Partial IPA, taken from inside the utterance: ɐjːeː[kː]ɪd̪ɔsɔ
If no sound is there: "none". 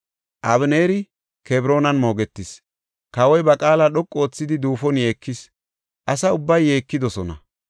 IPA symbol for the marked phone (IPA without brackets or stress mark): kː